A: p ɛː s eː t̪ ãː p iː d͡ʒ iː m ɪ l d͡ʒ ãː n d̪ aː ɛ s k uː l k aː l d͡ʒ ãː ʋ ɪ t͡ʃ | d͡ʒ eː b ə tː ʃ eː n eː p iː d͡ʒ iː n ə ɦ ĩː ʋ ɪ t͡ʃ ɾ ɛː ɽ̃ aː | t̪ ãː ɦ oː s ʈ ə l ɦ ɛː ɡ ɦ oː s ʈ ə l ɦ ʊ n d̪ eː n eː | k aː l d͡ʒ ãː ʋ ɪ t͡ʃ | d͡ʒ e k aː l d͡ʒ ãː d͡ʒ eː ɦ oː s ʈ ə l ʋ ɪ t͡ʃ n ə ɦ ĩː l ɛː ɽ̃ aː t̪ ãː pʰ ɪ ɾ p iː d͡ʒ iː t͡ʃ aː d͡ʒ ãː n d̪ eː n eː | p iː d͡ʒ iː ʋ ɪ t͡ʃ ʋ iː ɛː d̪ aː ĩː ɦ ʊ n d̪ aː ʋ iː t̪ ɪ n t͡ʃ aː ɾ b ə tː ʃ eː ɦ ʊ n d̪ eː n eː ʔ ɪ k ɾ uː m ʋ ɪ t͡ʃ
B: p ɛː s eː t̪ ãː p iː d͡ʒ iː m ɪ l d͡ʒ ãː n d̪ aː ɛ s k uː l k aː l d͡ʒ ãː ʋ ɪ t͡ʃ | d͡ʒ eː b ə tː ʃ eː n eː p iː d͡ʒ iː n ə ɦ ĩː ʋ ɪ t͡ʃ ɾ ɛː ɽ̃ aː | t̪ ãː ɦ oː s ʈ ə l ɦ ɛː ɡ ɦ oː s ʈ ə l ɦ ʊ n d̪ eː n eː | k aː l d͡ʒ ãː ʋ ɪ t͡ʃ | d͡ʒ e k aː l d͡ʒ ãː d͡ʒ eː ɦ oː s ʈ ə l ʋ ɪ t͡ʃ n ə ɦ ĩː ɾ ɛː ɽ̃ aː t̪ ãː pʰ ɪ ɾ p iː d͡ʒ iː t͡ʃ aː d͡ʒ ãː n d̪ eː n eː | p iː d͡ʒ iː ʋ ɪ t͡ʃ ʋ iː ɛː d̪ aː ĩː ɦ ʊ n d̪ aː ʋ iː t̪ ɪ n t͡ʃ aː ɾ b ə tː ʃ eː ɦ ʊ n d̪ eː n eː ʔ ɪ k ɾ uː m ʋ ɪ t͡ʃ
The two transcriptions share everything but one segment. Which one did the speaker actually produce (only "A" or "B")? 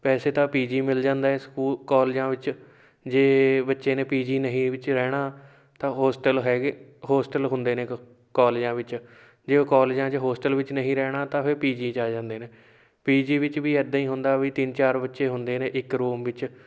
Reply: B